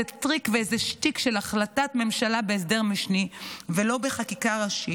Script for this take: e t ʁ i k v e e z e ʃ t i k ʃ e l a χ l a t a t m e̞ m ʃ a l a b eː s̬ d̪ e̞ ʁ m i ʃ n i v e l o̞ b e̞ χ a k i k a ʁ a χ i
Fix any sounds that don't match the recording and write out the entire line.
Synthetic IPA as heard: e t ʁ i k v e e z e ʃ t i k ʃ e l a χ l a t a t m e̞ m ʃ a l a b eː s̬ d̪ e̞ ʁ m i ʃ n i v e l o̞ b e̞ χ a k i k a ʁ a ʃ i